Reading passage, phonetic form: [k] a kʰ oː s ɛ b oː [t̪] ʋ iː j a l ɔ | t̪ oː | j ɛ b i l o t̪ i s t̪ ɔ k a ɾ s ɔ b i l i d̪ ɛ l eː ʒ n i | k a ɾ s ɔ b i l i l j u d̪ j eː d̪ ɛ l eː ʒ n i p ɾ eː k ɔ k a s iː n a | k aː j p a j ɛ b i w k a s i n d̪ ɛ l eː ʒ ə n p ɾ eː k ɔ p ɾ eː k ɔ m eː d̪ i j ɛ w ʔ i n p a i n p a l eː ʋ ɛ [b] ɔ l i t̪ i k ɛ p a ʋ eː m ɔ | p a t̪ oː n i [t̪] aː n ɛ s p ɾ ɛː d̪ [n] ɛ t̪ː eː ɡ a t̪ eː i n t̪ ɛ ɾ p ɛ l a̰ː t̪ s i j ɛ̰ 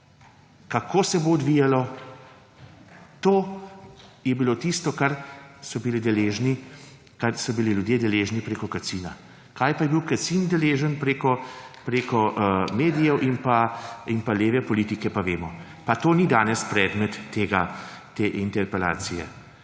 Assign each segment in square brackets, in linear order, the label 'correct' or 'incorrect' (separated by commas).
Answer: correct, incorrect, incorrect, incorrect, incorrect